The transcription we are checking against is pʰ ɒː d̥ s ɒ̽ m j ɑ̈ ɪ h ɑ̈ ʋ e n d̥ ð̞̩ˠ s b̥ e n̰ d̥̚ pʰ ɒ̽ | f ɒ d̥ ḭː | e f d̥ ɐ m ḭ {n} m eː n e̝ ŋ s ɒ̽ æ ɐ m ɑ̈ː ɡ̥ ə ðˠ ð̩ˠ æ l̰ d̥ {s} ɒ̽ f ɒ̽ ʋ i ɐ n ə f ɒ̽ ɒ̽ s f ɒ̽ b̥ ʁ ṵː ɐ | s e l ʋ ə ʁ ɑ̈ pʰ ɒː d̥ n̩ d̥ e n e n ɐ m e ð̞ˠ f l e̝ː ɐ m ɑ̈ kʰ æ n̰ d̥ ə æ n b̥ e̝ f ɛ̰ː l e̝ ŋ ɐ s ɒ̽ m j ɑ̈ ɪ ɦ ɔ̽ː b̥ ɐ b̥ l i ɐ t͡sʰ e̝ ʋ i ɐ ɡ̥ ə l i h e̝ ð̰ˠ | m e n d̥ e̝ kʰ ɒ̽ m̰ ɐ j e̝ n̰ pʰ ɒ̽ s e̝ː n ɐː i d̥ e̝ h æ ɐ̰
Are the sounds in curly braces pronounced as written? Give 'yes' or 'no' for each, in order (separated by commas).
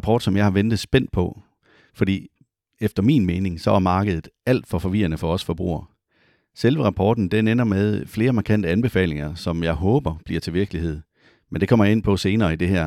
yes, no